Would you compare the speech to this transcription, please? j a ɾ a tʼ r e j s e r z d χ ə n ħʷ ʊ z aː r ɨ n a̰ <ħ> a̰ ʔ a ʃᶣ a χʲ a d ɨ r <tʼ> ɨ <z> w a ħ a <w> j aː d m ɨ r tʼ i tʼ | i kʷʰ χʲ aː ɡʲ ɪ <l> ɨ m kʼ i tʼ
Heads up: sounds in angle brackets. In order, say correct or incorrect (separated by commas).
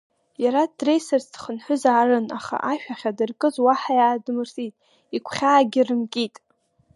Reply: incorrect, incorrect, correct, incorrect, incorrect